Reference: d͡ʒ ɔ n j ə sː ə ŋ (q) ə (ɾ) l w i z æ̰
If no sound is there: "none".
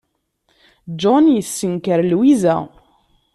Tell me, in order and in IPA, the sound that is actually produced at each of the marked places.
k, ɾ

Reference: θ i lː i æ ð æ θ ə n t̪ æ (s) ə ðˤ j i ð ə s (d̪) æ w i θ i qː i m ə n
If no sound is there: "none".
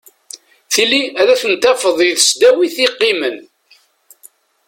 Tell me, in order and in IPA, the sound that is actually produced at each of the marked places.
f, d̪

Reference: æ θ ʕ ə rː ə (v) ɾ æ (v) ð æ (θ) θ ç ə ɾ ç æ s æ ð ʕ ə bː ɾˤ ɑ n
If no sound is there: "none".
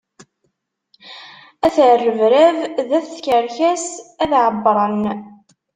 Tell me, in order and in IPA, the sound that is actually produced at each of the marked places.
v, v, θ

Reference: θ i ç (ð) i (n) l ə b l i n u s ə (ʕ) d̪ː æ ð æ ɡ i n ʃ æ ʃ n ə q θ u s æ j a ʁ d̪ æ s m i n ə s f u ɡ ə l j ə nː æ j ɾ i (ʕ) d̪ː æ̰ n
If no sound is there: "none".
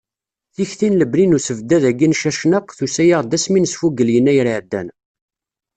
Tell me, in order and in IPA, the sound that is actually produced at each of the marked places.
θ, n, v, ʕ

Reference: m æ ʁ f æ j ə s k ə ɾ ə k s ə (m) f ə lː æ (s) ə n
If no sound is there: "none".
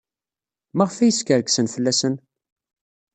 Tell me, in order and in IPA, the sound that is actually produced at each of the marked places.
n, s

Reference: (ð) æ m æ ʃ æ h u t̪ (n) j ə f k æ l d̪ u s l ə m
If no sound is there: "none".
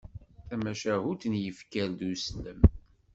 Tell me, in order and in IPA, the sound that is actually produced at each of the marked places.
θ, n

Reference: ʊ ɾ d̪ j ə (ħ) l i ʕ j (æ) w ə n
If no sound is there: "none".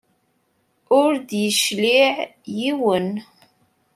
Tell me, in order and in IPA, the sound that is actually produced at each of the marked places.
ʃ, i

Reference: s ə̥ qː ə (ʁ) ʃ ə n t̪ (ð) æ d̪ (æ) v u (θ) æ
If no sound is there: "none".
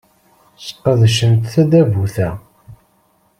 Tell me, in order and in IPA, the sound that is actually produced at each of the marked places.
ð, θ, æ, θ

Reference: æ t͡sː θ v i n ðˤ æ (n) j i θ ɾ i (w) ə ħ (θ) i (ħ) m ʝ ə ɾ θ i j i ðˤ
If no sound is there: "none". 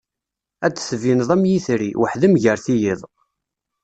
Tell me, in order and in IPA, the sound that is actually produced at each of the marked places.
m, w, ð, none

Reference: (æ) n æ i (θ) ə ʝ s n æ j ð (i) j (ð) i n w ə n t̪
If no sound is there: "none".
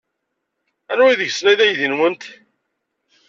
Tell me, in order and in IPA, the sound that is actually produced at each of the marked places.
æ, ð, æ, ð

